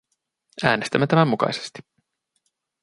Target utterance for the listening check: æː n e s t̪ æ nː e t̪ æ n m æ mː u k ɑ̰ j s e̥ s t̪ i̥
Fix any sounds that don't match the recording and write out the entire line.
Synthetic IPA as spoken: æː n e s t̪ æ mː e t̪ æ m æ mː u k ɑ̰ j s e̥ s t̪ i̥